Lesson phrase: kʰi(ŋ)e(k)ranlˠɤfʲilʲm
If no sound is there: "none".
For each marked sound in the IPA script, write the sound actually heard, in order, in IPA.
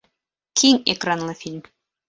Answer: ŋ, k

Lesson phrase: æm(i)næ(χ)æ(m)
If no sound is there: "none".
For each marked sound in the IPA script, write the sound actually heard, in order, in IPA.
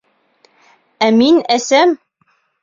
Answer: i, s, m

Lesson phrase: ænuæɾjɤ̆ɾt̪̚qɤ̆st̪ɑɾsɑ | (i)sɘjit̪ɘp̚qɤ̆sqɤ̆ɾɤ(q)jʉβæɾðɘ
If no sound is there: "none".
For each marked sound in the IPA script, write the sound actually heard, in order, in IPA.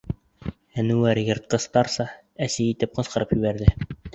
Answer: æ, p

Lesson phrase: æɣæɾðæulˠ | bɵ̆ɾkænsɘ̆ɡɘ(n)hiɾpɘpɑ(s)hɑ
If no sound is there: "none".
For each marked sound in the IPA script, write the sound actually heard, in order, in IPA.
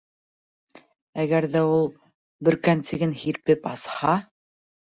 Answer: n, s

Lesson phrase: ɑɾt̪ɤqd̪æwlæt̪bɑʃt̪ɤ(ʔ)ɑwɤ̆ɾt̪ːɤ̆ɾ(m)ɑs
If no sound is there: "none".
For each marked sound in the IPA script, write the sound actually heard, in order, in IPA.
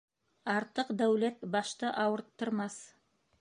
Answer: ʔ, m

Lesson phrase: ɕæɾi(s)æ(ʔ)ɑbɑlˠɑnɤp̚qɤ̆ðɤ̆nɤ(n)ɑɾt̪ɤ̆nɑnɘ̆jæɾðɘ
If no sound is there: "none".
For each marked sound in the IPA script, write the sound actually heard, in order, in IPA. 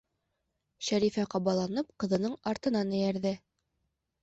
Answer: f, q, ɴ

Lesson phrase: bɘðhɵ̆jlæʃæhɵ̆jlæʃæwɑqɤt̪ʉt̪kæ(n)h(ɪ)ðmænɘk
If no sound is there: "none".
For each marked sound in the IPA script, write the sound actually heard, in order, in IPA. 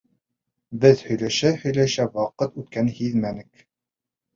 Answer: n, i

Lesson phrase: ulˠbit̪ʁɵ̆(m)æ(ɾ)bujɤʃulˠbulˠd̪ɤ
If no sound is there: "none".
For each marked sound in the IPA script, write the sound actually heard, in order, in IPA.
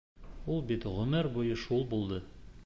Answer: m, ɾ

